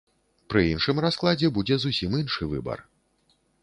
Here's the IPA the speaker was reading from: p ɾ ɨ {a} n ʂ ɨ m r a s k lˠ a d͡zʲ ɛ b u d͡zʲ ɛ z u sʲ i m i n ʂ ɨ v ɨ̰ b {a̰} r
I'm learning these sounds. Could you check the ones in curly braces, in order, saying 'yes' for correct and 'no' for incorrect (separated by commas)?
no, no